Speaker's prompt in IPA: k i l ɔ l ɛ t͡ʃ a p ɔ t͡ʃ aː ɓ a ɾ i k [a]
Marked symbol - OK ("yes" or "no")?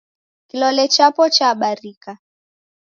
yes